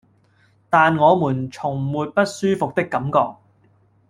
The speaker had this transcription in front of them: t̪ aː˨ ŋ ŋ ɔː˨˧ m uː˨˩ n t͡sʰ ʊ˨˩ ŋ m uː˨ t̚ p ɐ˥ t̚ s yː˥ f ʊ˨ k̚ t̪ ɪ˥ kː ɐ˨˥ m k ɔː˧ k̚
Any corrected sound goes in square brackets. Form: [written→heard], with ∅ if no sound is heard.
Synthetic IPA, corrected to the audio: t̪ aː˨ [ŋ→n] ŋ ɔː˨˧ m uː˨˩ n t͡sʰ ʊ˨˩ ŋ m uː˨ t̚ p ɐ˥ t̚ s yː˥ f ʊ˨ k̚ t̪ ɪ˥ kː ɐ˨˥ m k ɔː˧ k̚